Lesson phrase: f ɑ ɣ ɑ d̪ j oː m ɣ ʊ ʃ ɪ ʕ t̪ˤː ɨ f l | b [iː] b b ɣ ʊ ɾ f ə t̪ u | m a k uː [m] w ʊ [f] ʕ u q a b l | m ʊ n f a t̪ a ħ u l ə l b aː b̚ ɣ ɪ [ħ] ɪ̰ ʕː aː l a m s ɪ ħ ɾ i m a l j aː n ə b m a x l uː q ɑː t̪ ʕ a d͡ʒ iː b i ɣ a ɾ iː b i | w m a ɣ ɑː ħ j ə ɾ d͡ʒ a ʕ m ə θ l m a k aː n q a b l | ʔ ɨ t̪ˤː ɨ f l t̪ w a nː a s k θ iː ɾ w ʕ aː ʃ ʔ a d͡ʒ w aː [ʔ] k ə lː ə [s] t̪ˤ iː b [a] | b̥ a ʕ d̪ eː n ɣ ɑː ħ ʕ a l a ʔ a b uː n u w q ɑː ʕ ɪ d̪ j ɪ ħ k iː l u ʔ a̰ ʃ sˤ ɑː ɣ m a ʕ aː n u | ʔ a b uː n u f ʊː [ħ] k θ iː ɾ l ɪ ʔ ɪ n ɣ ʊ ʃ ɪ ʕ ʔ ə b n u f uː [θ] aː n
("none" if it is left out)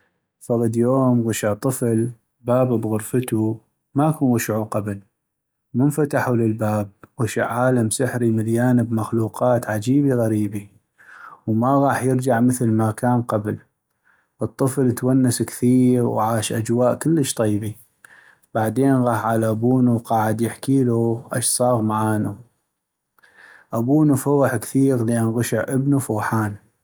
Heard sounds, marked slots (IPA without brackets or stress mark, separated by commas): aː, n, ʃ, ʃ, ʔ, ʃ, i, ħ, ħ